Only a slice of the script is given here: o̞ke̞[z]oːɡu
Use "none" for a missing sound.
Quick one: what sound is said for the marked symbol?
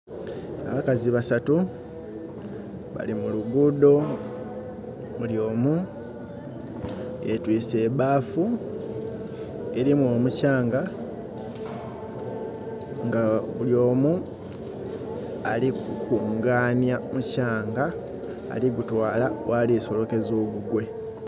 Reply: z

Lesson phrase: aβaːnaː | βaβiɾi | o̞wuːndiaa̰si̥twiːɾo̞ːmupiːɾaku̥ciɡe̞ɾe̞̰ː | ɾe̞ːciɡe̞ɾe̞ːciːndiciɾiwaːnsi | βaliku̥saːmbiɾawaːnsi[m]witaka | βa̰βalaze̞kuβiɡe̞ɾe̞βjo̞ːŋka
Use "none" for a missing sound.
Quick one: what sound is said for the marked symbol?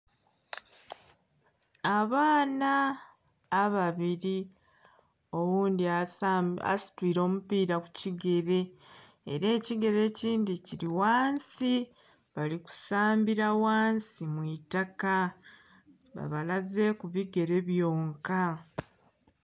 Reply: m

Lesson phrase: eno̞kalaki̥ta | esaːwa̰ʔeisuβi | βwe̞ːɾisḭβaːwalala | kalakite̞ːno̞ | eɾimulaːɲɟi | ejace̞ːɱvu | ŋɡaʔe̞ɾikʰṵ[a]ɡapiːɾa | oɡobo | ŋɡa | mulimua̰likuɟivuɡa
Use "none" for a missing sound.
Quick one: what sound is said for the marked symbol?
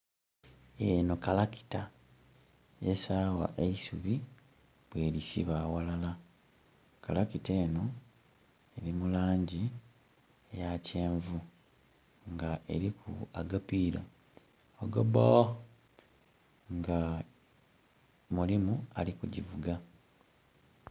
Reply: a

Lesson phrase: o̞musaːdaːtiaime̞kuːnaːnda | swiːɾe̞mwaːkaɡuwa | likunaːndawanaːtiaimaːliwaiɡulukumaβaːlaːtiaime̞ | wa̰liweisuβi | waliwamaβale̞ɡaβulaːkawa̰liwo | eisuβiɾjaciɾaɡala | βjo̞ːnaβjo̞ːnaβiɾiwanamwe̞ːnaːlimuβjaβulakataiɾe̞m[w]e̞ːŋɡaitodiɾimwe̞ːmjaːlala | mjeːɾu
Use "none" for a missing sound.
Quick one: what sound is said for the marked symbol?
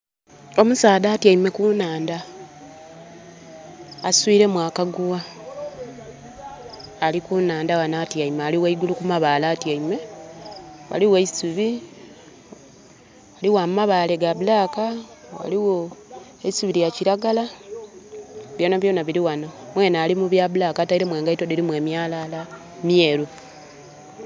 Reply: w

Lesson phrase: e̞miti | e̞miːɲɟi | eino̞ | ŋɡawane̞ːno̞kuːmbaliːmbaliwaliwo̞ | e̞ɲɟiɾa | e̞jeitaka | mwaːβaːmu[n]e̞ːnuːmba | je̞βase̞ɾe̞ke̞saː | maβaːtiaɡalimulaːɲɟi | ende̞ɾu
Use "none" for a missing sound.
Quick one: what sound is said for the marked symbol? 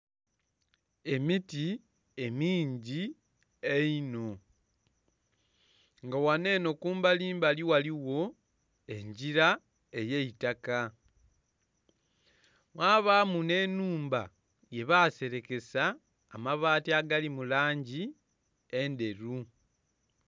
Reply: n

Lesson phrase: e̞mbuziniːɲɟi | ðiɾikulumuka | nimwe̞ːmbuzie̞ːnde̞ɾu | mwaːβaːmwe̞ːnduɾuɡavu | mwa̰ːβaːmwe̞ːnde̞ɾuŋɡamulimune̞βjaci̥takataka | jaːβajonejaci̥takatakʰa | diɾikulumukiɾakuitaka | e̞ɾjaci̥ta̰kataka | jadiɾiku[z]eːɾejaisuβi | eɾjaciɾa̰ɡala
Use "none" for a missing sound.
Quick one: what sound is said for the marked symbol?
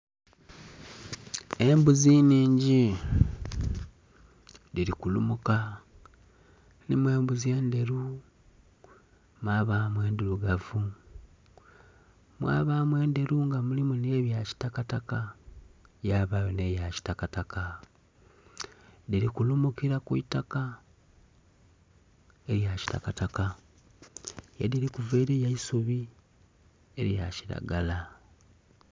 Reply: v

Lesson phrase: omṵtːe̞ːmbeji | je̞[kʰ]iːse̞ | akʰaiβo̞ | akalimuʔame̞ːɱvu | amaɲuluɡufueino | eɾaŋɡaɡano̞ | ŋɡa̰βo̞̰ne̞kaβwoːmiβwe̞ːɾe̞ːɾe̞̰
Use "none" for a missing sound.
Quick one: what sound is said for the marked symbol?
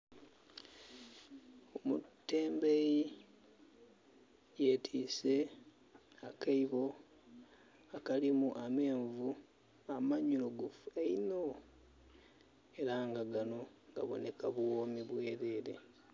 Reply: tʰ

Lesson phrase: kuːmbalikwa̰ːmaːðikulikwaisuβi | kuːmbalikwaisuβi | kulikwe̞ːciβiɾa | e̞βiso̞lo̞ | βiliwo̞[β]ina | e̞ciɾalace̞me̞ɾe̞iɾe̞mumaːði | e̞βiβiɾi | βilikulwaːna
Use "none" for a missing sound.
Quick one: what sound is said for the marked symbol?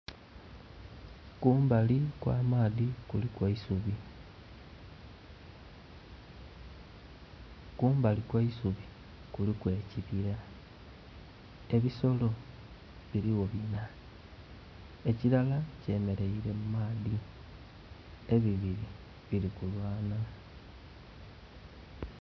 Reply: β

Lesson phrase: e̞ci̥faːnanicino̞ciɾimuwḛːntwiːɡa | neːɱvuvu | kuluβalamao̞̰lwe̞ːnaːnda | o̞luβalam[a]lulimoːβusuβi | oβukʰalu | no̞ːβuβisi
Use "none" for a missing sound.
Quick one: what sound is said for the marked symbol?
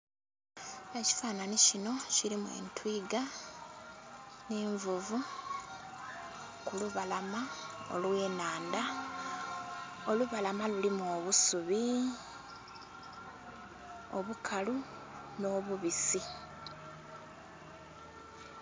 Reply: a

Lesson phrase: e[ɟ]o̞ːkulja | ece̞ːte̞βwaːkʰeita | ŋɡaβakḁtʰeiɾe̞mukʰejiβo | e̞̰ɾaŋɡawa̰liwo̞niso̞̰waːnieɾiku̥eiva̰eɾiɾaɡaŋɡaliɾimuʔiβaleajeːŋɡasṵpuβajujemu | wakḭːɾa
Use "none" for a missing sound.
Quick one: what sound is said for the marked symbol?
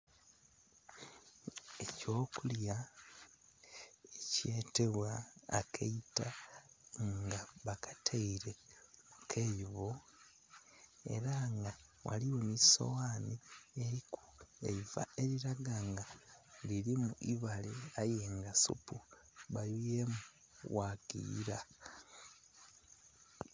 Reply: c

